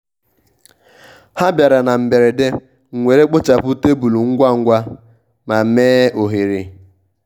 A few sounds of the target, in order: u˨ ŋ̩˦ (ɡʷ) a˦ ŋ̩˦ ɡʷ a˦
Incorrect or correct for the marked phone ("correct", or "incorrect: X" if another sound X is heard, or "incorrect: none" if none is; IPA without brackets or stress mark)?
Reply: correct